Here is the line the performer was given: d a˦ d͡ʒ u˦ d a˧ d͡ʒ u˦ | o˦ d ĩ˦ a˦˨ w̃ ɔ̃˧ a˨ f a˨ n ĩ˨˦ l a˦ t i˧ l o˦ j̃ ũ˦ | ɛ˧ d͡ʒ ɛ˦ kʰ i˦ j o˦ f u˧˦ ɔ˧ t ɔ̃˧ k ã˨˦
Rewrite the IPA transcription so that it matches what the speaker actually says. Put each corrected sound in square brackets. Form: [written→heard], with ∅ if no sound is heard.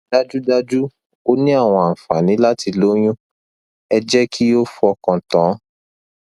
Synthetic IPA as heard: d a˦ d͡ʒ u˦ d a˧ d͡ʒ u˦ | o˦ [d→n] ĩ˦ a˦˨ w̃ ɔ̃˧ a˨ f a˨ n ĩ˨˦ l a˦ t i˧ l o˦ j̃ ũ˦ | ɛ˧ d͡ʒ ɛ˦ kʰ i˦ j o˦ f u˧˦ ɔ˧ [t→k] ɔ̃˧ [k→t] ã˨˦